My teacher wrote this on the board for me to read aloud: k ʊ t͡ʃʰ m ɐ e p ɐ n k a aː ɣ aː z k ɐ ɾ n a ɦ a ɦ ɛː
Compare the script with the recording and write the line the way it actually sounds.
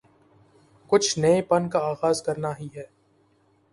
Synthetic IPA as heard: k ʊ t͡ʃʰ n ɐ e p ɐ n k a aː ɣ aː z k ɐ ɾ n a ɦ i ɦ ɛː